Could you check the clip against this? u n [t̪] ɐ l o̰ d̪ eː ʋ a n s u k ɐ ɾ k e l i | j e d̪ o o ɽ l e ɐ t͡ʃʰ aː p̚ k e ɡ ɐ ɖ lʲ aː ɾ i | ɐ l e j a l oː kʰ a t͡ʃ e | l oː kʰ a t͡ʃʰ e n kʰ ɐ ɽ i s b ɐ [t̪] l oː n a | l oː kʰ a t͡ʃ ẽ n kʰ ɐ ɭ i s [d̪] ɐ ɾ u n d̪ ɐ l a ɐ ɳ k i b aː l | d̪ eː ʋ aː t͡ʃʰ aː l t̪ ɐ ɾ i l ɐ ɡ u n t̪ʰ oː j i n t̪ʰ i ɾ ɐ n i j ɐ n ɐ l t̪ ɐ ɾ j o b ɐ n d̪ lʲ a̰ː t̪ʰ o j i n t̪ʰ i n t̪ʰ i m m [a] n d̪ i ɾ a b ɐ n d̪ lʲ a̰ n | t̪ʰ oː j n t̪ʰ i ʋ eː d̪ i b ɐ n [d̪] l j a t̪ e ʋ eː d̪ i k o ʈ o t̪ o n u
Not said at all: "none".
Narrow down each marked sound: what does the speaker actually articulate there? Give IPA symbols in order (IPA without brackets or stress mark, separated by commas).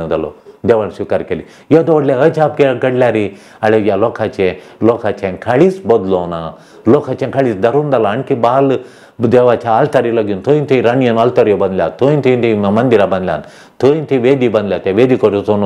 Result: d̪, d̪, d̪, ɐ, d̪